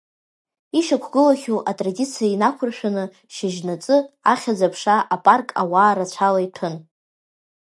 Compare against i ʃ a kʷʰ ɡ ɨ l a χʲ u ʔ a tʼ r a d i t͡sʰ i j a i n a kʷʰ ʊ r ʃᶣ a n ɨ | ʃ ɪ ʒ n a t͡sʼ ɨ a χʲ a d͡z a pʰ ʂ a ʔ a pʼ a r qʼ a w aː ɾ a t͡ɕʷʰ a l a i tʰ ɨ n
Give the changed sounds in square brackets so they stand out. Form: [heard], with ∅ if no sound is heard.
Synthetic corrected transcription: i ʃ a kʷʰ ɡ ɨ l a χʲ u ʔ a tʼ r a d i t͡sʰ i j a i n a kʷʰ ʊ r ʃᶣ a n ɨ | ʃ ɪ ʒ n a t͡sʼ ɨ a χʲ a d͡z a pʰ ʂ a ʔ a pʼ a r [kʼ] a w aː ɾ a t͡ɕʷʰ a l a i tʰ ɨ n